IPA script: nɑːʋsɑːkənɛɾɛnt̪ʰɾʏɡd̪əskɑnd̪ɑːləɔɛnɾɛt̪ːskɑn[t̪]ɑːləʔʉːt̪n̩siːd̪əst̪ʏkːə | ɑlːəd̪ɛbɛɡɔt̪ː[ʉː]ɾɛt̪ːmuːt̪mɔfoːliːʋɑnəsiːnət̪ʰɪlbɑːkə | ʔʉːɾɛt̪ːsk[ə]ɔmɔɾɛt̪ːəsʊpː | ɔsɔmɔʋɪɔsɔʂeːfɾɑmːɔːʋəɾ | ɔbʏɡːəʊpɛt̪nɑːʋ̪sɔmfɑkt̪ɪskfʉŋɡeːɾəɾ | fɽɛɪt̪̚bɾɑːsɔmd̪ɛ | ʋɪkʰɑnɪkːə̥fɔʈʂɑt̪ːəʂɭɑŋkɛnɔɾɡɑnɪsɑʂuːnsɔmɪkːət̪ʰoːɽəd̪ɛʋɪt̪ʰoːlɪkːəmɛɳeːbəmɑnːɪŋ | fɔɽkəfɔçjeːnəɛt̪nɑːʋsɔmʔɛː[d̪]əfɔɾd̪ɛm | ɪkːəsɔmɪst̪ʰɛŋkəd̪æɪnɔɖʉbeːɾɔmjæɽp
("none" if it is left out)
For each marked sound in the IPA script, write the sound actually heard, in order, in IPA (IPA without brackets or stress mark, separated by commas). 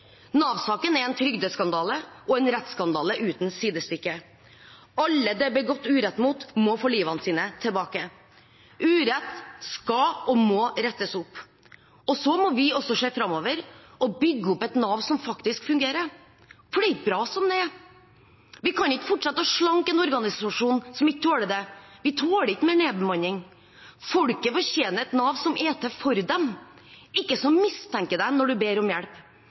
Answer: d̪, ʉː, ɑ, t̪